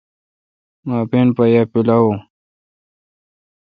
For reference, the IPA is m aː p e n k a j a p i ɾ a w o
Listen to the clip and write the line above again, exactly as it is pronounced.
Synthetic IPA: m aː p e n p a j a p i l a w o